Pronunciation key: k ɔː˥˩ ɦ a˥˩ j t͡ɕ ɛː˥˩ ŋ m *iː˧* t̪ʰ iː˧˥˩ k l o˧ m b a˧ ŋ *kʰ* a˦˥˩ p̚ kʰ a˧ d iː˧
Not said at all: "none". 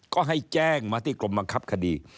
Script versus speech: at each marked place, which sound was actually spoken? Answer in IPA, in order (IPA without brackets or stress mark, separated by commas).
aː˧, kʰ